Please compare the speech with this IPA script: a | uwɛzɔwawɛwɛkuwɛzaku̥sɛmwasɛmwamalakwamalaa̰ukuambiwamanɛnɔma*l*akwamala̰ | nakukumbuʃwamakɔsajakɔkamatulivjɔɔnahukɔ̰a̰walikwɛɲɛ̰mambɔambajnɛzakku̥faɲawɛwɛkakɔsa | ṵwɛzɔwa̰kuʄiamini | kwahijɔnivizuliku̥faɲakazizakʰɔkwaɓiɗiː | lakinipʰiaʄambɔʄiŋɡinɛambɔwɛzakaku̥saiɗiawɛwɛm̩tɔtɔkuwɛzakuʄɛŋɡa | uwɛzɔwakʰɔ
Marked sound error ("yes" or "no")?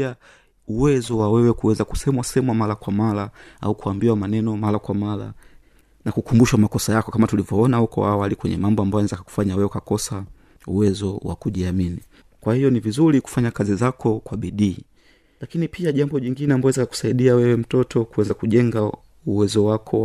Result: no